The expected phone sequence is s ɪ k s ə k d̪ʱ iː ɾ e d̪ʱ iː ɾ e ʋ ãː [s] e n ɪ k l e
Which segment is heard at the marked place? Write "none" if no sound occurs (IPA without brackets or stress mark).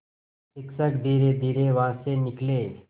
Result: s